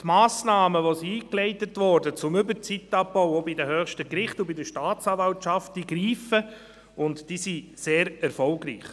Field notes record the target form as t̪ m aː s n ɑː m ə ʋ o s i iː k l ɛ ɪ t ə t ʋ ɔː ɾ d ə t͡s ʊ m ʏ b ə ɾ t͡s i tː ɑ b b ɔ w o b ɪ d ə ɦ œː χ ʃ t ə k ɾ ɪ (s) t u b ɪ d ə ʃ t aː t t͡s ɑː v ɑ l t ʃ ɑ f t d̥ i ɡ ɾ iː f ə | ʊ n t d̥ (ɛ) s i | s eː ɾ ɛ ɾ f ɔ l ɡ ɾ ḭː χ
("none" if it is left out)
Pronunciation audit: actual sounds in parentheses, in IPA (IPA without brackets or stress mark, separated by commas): χ, i